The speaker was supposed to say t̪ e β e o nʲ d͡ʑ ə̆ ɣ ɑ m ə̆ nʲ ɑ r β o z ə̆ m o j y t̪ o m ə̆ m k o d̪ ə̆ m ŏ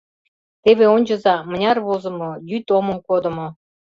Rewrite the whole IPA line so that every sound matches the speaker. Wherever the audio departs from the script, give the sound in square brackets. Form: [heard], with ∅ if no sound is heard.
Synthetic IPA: t̪ e β e o nʲ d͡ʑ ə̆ [z] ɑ m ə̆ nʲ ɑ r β o z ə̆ m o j y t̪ o m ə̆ m k o d̪ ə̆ m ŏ